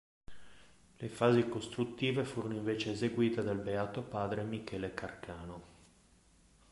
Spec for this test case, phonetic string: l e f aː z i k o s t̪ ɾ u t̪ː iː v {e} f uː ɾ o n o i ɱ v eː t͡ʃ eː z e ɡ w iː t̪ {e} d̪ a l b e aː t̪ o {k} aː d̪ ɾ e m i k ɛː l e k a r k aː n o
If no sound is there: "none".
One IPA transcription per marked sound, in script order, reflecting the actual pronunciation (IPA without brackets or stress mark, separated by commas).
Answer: e, e, p